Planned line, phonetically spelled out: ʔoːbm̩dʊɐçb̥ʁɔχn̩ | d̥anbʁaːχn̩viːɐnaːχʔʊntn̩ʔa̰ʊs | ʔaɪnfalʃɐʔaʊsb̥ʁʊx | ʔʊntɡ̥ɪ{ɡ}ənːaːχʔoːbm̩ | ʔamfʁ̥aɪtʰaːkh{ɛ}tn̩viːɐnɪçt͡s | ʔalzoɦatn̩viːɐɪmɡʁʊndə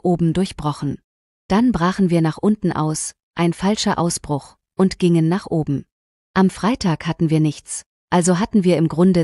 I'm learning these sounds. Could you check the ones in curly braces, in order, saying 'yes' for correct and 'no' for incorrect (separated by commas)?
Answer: no, no